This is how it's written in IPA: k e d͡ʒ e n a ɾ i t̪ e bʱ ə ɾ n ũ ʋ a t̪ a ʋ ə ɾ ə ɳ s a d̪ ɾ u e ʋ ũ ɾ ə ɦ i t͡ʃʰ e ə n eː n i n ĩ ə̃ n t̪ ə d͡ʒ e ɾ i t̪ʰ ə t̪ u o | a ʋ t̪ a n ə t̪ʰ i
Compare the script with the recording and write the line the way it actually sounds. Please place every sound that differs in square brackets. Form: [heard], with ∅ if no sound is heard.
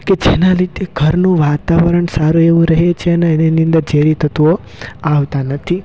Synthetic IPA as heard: k e d͡ʒ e n a ɾ i t̪ e [ɡʱ] ə ɾ n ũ ʋ a t̪ a ʋ ə ɾ ə ɳ s a [∅] ɾ u e ʋ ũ ɾ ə ɦ [e] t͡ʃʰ e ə n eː n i n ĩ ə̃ n [d̪] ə d͡ʒ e ɾ i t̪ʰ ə t̪ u o | a ʋ t̪ a n ə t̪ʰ i

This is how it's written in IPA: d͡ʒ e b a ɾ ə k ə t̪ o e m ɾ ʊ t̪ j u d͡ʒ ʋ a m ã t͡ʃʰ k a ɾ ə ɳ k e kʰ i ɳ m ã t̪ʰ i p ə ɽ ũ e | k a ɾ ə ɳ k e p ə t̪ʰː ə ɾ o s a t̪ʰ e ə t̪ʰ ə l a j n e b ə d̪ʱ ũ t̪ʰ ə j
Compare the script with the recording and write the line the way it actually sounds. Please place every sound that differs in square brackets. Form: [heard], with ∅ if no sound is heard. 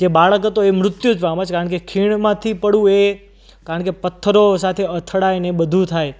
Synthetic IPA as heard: d͡ʒ e b a [ɭ] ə k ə t̪ o e m ɾ ʊ t̪ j u d͡ʒ ʋ a m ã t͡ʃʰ k a ɾ ə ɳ k e kʰ i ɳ m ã t̪ʰ i p ə ɽ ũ e | k a ɾ ə ɳ k e p ə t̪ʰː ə ɾ o s a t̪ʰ e ə t̪ʰ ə [ɽ] a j n e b ə d̪ʱ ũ t̪ʰ [a] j

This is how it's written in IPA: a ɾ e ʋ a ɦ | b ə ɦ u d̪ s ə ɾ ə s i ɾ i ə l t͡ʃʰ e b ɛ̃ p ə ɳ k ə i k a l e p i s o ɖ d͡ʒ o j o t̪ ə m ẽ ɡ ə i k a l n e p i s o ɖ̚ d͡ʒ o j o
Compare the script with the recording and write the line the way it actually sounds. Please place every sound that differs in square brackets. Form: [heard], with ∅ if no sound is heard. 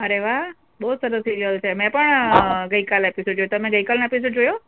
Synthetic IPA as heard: [ə] ɾ e ʋ a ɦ | b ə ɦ u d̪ s ə ɾ ə s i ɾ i ə l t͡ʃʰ e [m] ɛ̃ p ə ɳ [ɡ] ə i k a l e p i s o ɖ d͡ʒ o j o t̪ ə m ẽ ɡ ə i k a l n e p i s o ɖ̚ d͡ʒ o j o

